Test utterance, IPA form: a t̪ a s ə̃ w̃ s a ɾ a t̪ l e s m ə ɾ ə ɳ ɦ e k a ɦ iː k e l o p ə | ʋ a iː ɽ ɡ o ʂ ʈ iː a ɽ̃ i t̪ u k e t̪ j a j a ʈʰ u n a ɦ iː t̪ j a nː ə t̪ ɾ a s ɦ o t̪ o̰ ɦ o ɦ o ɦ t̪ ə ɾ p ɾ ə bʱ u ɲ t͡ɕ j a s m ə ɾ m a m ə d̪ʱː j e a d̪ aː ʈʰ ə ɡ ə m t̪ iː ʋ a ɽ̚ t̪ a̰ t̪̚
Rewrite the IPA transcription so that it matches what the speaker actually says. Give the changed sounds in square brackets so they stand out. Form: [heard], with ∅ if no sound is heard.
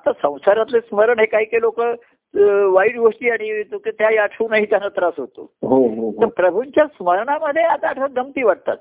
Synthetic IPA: a t̪ a s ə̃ w̃ s a ɾ a t̪ l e s m ə ɾ ə ɳ ɦ e k a ɦ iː k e l o [k] ə | ʋ a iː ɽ ɡ o ʂ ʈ iː a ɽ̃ i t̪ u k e t̪ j a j a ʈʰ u n a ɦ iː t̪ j a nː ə t̪ ɾ a s ɦ o t̪ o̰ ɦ o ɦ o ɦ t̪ ə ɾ p ɾ ə bʱ u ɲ t͡ɕ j a s m ə ɾ [ɳ] a m ə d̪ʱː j e a [t̪] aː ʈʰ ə ɡ ə m t̪ iː ʋ a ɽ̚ t̪ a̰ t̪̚